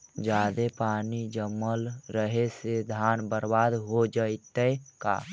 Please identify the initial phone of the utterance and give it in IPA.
d͡ʒ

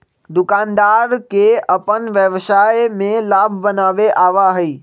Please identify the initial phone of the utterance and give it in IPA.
d̪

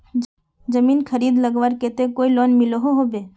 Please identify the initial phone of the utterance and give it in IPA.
d͡ʒ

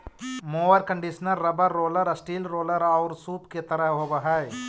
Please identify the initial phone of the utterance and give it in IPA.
m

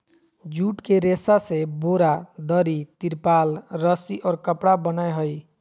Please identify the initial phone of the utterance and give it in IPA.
d͡ʒ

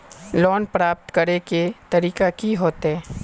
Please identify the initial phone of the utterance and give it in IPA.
l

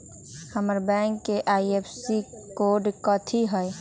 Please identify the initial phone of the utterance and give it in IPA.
h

